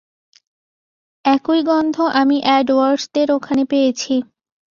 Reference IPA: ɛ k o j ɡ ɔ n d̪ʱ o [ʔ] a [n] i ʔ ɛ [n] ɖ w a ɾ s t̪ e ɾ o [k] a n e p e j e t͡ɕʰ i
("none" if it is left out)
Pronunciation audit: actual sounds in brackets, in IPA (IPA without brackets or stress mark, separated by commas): ʔ, m, none, kʰ